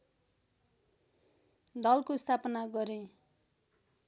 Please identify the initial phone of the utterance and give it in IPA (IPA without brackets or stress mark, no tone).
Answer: d̪